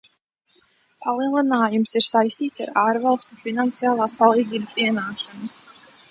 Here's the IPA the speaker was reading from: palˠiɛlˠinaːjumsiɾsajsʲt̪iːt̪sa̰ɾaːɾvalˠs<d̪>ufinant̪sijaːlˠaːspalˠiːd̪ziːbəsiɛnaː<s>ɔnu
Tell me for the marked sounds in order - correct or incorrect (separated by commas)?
incorrect, incorrect